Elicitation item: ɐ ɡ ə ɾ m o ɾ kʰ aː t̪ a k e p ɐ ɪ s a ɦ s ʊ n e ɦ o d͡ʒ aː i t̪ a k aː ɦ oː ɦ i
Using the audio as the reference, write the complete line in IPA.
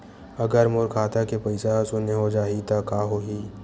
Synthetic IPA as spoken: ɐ ɡ ə ɾ m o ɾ kʰ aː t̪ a k e p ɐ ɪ s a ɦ s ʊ n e ɦ o d͡ʒ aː i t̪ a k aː ɦ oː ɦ i